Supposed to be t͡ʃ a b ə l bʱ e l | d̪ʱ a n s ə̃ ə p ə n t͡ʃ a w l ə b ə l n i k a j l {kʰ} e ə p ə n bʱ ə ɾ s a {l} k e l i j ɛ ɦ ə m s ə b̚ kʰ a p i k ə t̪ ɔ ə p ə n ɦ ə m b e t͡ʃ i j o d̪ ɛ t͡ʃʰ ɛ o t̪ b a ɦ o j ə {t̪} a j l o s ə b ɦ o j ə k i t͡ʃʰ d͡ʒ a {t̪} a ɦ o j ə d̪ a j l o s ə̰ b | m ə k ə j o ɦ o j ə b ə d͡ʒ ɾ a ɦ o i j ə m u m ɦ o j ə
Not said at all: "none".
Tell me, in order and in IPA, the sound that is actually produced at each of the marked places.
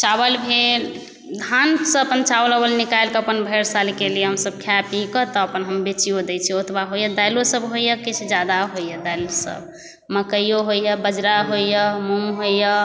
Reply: k, l, d̪, d̪

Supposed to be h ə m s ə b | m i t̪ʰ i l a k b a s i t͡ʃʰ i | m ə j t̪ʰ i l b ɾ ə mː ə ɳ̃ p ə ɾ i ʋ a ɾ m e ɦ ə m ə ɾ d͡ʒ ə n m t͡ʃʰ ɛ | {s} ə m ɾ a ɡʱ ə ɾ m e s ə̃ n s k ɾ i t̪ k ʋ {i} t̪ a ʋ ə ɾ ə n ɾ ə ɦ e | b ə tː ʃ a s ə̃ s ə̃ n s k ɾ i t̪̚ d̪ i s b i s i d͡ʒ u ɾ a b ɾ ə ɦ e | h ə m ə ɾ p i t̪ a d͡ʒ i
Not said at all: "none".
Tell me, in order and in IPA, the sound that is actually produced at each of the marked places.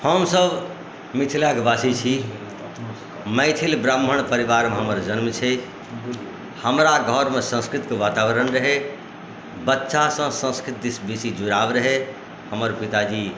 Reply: h, a

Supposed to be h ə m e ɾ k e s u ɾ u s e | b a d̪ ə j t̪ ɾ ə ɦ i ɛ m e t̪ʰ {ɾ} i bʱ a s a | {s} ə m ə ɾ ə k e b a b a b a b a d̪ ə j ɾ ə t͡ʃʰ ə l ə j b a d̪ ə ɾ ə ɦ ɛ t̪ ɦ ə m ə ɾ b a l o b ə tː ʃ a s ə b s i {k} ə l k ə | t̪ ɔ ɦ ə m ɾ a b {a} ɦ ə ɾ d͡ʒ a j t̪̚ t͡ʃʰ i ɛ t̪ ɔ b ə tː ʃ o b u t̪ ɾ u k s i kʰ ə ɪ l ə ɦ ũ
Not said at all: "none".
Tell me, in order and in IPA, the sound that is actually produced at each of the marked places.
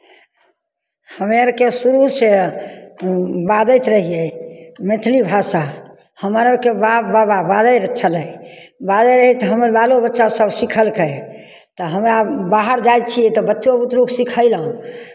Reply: l, h, kʰ, a

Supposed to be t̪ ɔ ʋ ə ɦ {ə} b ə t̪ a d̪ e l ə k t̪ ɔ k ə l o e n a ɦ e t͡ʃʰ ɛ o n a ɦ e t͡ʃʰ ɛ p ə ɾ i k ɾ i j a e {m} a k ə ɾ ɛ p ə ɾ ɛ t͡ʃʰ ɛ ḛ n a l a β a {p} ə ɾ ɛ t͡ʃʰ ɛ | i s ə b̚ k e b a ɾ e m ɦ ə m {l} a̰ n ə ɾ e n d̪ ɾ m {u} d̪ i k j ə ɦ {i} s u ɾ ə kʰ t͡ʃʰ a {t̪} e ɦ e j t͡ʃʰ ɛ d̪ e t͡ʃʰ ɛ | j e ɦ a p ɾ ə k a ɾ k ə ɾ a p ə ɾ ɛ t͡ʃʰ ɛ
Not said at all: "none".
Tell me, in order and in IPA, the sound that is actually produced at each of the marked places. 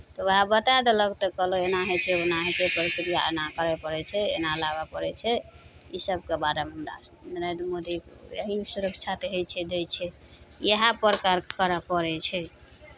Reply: a, n, p, ɾ, o, i, t̪

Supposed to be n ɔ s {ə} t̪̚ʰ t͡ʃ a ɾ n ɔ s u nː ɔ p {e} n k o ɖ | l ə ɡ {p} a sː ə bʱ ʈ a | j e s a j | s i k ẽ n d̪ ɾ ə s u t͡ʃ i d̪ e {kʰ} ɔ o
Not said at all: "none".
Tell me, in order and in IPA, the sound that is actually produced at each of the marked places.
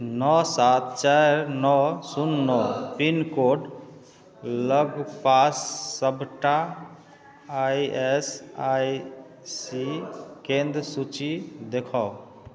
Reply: a, i, p, kʰ

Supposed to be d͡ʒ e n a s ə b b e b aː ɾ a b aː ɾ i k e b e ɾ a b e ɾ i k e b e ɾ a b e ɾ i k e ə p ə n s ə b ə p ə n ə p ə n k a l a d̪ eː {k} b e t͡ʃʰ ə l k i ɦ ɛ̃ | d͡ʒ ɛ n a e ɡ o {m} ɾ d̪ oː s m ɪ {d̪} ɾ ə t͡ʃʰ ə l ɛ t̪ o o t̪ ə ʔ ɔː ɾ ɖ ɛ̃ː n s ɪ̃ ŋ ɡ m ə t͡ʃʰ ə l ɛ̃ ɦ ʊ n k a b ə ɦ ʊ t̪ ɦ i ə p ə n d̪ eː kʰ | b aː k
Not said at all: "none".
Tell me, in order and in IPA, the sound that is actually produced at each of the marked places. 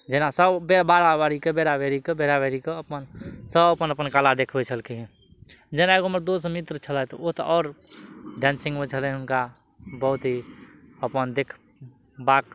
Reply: kʰ, m, t̪

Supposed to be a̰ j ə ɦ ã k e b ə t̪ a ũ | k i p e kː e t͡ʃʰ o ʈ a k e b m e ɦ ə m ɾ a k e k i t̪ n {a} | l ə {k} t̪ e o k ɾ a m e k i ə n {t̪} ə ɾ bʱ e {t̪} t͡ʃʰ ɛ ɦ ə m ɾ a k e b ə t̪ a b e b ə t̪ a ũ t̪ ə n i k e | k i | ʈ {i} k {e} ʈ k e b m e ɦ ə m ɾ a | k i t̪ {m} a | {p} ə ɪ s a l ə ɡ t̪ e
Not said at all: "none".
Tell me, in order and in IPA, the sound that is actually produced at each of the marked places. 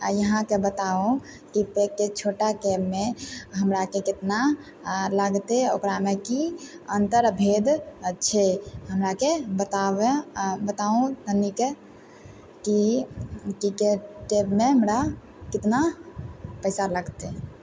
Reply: a, ɡ, t̪, d̪, i, e, n, p

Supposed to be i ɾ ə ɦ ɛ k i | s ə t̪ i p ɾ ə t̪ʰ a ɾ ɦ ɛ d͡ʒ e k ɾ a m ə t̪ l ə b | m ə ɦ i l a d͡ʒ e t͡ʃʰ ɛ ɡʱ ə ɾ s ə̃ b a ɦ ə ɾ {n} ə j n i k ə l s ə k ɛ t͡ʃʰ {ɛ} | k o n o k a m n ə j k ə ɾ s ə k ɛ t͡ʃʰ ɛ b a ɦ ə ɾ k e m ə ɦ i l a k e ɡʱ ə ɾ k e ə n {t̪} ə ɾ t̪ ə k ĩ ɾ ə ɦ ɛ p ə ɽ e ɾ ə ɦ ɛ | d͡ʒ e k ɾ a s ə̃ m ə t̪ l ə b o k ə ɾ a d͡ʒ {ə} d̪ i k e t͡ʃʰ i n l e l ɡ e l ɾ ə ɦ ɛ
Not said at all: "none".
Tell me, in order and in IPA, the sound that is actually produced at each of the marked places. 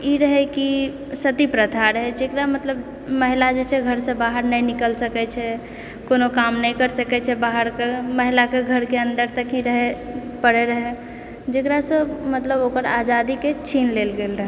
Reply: n, ɛ, d̪, a

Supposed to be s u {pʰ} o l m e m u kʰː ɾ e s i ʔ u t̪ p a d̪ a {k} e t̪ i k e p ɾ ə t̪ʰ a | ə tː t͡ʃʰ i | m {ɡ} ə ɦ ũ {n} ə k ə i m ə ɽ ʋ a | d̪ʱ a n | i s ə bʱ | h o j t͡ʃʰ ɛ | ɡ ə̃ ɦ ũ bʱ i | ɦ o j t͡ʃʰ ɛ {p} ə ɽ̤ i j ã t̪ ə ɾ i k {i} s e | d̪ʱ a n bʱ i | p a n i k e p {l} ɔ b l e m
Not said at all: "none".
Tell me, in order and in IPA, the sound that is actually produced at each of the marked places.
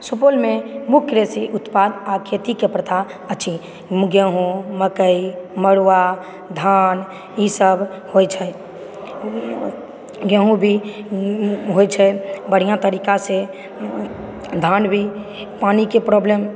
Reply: p, kʰ, ɡ, m, b, a, ɾ

